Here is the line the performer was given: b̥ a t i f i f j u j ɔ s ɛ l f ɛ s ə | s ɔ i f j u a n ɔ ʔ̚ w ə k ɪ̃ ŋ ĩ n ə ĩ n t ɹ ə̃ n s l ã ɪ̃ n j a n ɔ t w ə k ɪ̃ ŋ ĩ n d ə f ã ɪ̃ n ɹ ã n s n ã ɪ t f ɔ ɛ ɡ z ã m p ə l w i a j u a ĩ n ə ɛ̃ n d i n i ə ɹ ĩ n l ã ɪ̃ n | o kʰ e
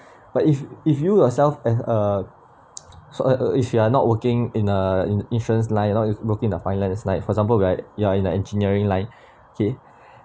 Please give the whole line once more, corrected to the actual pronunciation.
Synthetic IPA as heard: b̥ a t i f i f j u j ɔ s ɛ l f ɛ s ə | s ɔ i f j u a n ɔ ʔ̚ w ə k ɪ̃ ŋ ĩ n ə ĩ n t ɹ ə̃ n s l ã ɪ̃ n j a n ɔ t w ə k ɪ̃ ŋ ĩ n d ə f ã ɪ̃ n l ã n s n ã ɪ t f ɔ ɛ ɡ z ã m p ə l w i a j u a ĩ n ə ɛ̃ n d͡ʒ i n i ə ɹ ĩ ŋ l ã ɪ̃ n | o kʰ e